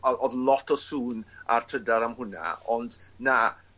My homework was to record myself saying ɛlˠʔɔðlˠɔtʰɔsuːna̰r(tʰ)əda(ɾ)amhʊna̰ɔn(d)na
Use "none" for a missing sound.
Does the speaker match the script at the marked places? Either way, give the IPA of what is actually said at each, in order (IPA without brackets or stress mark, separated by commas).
tʰ, ɾ, d